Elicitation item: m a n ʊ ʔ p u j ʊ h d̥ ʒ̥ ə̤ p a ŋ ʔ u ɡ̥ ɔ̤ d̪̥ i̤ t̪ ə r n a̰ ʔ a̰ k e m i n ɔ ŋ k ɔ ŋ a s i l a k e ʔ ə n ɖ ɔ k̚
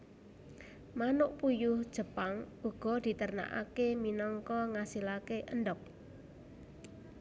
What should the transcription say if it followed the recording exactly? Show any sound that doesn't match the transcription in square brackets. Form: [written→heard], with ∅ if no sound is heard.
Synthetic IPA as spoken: m a n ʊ ʔ p u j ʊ h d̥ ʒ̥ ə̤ p a ŋ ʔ u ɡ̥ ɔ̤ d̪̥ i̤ t̪ ə r n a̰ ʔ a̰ k e m i n ɔ ŋ k ɔ ŋ a s i l a k e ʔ ə n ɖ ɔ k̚

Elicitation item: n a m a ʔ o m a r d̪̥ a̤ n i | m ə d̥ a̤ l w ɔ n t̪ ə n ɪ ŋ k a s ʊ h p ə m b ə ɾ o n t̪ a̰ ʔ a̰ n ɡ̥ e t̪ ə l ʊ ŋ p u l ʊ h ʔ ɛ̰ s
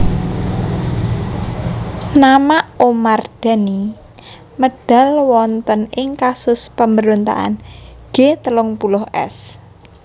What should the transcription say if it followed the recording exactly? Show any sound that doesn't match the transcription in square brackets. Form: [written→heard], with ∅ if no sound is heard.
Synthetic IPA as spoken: n a m a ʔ o m a r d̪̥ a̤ n i | m ə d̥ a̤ l w ɔ n t̪ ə n ɪ ŋ k a s ʊ [h→s] p ə m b ə ɾ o n t̪ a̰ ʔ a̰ n ɡ̥ e t̪ ə l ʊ ŋ p u l ʊ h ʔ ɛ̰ s

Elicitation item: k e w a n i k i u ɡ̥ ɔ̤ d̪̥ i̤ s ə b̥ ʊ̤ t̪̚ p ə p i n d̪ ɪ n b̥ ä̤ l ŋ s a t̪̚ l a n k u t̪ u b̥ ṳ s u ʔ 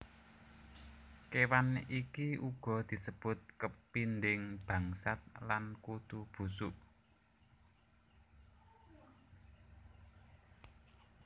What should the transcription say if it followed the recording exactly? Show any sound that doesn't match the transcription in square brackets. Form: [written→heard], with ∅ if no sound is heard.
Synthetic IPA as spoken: k e w a n i k i u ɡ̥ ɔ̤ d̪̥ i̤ s ə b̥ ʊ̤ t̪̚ [p→k] ə p i n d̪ ɪ [n→ŋ] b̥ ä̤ [l→∅] ŋ s a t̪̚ l a n k u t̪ u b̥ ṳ s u ʔ

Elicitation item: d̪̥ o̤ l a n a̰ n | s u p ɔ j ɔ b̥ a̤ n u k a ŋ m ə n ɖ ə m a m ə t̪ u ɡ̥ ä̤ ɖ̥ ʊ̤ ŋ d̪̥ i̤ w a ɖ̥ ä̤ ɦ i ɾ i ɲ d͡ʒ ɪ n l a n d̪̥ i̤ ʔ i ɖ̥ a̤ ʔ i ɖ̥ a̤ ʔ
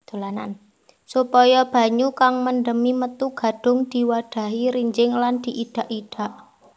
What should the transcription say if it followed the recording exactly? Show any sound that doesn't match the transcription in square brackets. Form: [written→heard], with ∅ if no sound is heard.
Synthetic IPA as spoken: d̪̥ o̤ l a n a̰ n | s u p ɔ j ɔ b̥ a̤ [n→ɲ] u k a ŋ m ə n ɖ ə m [a→i] m ə t̪ u ɡ̥ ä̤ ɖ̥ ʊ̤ ŋ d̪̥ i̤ w a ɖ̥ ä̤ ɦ i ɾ i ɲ d͡ʒ ɪ [n→ŋ] l a n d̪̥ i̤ ʔ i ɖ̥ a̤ ʔ i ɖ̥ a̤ ʔ

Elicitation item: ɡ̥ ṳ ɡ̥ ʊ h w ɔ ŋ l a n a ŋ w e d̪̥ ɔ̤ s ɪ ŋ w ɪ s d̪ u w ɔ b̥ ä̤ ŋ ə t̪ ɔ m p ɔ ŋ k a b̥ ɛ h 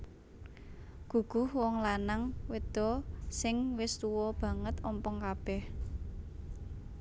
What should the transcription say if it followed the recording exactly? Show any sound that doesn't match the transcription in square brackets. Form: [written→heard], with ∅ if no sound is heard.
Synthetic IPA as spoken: ɡ̥ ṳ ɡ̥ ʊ h w ɔ ŋ l a n a ŋ w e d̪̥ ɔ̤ s ɪ ŋ w ɪ s [d̪→t̪] u w ɔ b̥ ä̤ ŋ ə t̪ ɔ m p ɔ ŋ k a b̥ ɛ h

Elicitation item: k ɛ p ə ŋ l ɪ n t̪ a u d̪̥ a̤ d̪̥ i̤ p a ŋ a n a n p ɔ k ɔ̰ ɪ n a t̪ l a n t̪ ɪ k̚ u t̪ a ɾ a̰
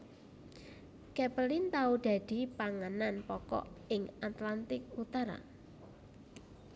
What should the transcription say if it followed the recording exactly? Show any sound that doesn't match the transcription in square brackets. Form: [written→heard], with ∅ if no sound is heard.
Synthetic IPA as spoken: k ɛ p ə [ŋ→∅] l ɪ n t̪ a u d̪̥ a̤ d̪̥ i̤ p a ŋ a n a n p ɔ k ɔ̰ ɪ [n→ŋ] a t̪ l a n t̪ ɪ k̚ u t̪ a ɾ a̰

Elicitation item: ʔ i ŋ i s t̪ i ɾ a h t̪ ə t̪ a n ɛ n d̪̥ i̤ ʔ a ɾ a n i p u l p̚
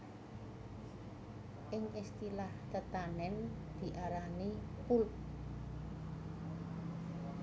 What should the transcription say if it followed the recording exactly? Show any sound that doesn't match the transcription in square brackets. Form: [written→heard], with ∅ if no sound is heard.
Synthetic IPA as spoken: ʔ [i→ɪ] ŋ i s t̪ i [ɾ→l] a h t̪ ə t̪ a n ɛ n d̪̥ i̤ ʔ a ɾ a n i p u l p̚

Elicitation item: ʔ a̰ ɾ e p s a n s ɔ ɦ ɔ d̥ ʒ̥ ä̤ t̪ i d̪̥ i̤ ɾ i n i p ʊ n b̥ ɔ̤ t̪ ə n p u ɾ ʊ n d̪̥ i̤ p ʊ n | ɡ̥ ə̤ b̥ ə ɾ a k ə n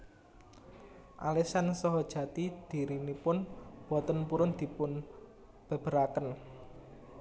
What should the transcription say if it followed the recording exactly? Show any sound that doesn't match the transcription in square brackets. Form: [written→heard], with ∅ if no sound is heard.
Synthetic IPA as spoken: ʔ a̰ [ɾ→l] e [p→∅] s a n s ɔ ɦ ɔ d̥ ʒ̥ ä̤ t̪ i d̪̥ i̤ ɾ i n i p ʊ n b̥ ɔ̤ t̪ ə n p u ɾ ʊ n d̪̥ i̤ p ʊ n | [ɡ̥→b̥] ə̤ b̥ ə ɾ a k ə n

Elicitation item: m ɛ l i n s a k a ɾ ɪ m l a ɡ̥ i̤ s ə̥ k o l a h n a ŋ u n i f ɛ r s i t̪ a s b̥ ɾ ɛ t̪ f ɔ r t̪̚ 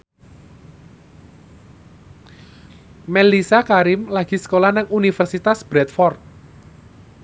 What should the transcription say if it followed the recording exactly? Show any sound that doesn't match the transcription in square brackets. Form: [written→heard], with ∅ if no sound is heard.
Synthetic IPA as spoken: m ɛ l i [n→∅] s a k a ɾ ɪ m l a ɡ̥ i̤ s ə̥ k o l a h n a ŋ u n i f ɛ r s i t̪ a s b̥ ɾ ɛ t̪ f ɔ r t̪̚

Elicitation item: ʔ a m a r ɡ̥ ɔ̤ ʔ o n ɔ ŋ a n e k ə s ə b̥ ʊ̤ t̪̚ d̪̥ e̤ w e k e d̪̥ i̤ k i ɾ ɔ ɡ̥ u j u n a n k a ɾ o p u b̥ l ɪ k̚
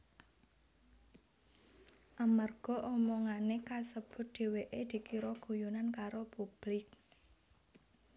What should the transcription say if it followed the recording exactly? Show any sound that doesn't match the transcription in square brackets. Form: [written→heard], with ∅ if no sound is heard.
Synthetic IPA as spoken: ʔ a m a r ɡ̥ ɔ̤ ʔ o [n→m] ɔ ŋ a n e k [ə→a] s ə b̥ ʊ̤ t̪̚ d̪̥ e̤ w e [k→ʔ] e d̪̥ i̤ k i ɾ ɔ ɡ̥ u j u n a n k a ɾ o p u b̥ l ɪ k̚

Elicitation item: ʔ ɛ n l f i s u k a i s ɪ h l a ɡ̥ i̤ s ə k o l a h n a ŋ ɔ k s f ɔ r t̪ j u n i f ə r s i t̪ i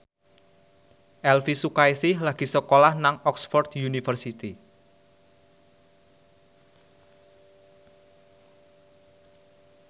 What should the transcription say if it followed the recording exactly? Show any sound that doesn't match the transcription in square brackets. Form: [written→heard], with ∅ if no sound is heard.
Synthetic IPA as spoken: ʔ ɛ [n→∅] l f i s u k a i s ɪ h l a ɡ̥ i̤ s ə k o l a h n a ŋ ɔ k s f ɔ r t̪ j u n i f ə r s i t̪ i

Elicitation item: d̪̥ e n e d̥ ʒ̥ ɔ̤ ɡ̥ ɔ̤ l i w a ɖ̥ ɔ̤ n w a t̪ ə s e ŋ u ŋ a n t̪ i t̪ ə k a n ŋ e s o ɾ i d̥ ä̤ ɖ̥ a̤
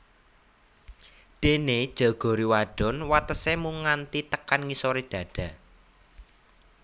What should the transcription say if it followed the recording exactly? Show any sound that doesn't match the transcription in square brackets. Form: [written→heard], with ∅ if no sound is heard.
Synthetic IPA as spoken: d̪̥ e n e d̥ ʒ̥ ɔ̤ ɡ̥ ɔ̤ [l→ɾ] i w a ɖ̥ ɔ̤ n w a t̪ ə s e [ŋ→m] u ŋ a n t̪ i t̪ ə k a n ŋ [e→i] s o ɾ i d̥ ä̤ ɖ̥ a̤

